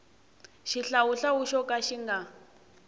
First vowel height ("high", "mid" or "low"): high